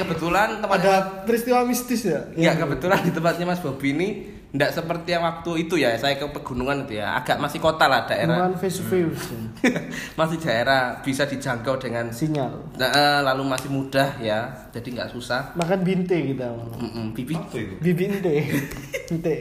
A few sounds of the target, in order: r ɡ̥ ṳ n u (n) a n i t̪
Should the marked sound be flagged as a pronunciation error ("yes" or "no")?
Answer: yes